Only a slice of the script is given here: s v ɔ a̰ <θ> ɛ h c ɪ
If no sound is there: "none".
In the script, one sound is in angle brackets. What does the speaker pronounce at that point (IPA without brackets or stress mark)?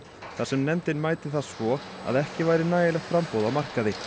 ð